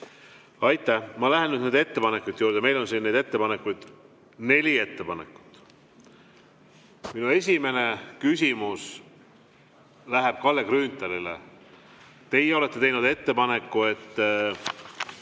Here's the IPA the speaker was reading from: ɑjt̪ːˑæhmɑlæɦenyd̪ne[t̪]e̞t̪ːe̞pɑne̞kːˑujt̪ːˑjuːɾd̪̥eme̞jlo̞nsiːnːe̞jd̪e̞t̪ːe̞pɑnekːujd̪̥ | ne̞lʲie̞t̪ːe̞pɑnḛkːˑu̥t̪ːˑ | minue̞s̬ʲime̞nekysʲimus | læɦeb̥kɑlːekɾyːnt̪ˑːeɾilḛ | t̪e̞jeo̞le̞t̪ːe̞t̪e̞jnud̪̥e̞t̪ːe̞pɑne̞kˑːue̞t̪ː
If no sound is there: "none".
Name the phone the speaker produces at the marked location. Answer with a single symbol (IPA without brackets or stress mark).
d̪